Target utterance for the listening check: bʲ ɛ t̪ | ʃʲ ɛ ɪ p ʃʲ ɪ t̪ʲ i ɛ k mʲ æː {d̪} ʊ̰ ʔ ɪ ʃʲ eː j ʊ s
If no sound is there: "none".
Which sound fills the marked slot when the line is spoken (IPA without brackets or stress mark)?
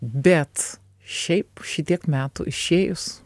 t̪